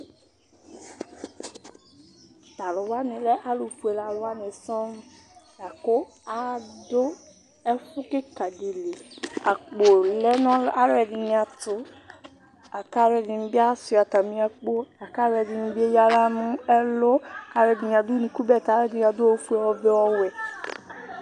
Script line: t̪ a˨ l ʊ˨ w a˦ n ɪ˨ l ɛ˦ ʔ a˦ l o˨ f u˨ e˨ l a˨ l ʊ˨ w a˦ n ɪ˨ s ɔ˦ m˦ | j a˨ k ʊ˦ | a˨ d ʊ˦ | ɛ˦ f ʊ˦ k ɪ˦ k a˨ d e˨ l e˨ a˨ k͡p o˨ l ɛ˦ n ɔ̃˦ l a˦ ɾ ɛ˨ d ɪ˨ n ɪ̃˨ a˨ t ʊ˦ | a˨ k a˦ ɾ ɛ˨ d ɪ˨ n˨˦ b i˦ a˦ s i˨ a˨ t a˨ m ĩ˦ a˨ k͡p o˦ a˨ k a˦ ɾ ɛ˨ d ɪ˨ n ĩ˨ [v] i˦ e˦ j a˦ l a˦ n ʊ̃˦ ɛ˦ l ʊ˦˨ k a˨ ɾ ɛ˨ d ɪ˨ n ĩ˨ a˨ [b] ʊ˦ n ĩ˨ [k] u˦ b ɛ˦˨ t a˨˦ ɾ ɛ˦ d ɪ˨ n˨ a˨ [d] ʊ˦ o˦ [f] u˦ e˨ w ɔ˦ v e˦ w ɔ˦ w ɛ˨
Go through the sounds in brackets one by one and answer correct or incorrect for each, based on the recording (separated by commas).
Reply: incorrect, incorrect, correct, correct, correct